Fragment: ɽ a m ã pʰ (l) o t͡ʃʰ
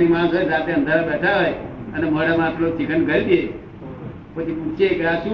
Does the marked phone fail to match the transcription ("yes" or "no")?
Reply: no